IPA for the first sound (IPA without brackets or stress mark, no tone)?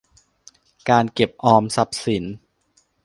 k